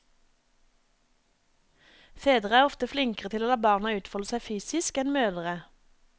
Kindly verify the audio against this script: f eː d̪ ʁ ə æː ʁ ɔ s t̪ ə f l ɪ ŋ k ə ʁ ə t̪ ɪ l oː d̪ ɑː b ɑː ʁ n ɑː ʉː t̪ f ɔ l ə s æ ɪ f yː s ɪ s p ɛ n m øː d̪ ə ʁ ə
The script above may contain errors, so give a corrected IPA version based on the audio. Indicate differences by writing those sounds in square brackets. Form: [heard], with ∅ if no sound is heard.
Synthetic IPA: f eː d̪ ʁ ə æː ʁ ɔ [f] t̪ ə f l ɪ ŋ k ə ʁ ə t̪ ɪ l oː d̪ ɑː b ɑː ʁ n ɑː ʉː t̪ f ɔ l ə s æ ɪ f yː s ɪ s [k] ɛ n m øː d̪ ə ʁ ə